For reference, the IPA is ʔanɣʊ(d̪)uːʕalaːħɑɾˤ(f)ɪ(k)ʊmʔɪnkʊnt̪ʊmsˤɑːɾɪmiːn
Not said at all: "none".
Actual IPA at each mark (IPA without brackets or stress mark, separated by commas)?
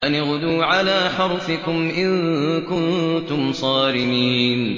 d̪, f, k